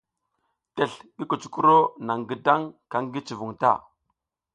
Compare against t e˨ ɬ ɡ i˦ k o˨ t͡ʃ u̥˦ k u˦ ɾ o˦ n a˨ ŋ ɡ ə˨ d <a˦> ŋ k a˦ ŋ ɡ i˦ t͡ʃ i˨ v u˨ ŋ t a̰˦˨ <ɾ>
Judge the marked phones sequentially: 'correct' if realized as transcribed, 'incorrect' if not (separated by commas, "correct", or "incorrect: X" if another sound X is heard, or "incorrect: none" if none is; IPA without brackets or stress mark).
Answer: correct, incorrect: none